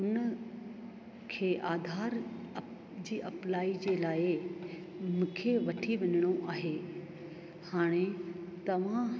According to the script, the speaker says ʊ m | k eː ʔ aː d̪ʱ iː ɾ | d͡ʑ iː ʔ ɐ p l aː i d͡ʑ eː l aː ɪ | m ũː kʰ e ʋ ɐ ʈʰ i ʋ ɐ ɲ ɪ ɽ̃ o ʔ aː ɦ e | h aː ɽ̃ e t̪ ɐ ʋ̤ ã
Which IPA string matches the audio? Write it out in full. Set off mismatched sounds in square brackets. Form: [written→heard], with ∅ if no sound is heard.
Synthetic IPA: ʊ [m→n] | [k→kʰ] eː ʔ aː d̪ʱ [iː→aː] ɾ | d͡ʑ iː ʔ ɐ p l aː i d͡ʑ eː l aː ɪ | m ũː kʰ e ʋ ɐ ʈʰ i ʋ ɐ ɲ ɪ ɽ̃ o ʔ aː ɦ e | h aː ɽ̃ e t̪ ɐ ʋ̤ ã